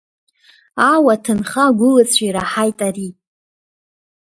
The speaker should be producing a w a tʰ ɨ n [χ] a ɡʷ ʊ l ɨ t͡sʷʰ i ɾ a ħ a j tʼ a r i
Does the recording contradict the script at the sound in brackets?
no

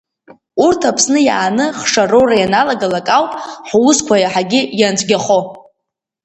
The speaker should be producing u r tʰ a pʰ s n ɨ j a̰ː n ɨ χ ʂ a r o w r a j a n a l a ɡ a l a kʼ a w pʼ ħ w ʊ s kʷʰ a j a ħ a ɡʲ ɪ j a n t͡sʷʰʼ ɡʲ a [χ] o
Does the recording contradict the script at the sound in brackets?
no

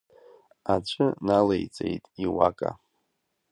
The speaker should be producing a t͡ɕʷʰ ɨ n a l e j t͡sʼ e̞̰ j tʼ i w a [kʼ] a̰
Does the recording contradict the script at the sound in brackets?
no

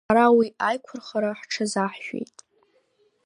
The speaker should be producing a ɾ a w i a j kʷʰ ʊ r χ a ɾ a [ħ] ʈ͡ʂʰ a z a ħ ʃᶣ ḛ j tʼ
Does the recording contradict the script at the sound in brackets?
no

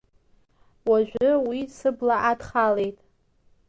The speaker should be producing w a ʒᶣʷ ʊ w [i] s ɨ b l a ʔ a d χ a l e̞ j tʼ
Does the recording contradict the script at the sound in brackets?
no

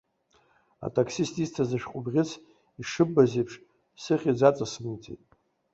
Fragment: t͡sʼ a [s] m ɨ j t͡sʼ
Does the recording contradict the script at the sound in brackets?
no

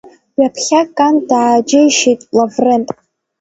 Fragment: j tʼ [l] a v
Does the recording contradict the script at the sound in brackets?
no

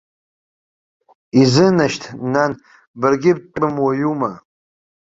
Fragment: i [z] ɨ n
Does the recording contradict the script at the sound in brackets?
no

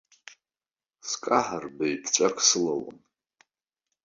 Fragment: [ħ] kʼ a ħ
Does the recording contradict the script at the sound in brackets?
yes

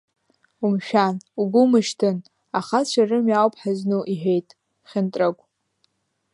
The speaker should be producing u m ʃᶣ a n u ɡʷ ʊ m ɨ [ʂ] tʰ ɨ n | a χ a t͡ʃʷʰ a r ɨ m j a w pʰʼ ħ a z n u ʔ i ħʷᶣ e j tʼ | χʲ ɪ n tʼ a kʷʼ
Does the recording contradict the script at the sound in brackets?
yes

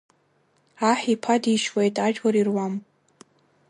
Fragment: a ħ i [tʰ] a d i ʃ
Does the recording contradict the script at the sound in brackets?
yes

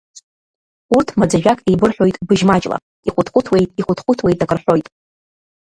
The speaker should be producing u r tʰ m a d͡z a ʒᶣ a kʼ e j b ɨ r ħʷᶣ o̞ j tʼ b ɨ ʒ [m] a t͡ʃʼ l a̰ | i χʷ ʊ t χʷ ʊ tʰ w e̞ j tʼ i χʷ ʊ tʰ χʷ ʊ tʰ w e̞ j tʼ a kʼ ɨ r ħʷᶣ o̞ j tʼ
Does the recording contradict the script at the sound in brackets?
no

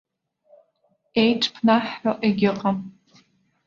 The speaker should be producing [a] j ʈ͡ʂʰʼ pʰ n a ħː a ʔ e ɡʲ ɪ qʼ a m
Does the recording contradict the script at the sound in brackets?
yes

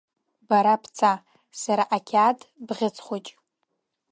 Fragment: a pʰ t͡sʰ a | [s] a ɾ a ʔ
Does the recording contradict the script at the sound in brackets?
no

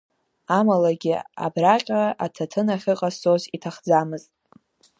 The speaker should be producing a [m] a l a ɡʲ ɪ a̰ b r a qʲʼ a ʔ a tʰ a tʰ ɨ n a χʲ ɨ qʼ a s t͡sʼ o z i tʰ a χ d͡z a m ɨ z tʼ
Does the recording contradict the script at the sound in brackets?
no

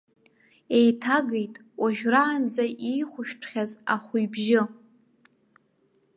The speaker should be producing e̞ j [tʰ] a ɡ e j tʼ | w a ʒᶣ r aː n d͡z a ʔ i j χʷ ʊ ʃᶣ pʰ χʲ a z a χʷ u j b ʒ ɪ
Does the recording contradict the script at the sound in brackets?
no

